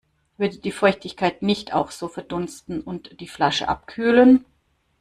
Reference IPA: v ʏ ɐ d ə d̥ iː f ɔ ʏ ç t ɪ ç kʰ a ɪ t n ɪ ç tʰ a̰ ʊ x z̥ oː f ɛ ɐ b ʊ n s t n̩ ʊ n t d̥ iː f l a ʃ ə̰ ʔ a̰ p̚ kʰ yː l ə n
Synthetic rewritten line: v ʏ ɐ d ə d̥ iː f ɔ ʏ ç t ɪ ç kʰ a ɪ t n ɪ ç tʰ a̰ ʊ x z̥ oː f ɛ ɐ d ʊ n s t n̩ ʊ n t d̥ iː f l a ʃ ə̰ ʔ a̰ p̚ kʰ yː l ə n